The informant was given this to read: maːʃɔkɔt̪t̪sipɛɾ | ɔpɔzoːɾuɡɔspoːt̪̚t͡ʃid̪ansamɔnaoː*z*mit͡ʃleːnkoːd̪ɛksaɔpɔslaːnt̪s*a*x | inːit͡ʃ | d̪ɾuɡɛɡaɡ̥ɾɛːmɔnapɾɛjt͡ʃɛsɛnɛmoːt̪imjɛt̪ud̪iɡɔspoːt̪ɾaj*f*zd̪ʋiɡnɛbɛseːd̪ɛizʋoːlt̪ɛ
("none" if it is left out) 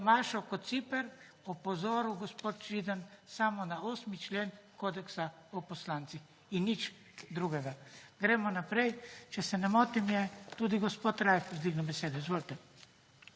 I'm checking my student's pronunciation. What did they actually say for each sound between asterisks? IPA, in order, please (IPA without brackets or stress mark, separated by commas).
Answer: s, i, f